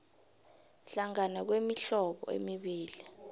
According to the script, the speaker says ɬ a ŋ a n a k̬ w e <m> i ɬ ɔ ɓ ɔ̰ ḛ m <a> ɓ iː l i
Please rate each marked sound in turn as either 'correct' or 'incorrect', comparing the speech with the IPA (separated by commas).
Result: correct, incorrect